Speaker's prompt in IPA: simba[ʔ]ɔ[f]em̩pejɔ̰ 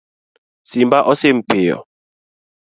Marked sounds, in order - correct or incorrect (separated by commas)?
correct, incorrect